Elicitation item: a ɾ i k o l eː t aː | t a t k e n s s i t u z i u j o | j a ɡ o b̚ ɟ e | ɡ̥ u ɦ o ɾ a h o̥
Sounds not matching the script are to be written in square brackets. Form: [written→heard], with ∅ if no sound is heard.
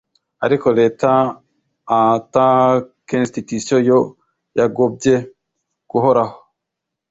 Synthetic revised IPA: a ɾ i k o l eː t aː | t a [t→∅] k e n s [s→t] i t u [z→s] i [u→o] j o | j a ɡ o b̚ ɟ e | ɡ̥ u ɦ o ɾ a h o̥